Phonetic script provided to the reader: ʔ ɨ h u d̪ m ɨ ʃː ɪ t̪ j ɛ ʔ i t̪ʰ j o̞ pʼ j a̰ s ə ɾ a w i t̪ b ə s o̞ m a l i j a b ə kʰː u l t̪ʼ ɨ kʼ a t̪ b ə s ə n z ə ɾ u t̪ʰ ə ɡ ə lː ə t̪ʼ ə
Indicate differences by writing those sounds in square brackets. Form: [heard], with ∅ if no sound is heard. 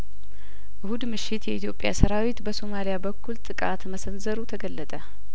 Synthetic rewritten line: ʔ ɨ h u d̪ m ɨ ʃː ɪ t̪ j ɛ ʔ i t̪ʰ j o̞ pʼ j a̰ s ə ɾ a w i t̪ b ə s o̞ m a l i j a b ə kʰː u l t̪ʼ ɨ kʼ a t̪ [m] ə s ə n z ə ɾ u t̪ʰ ə ɡ ə lː ə t̪ʼ ə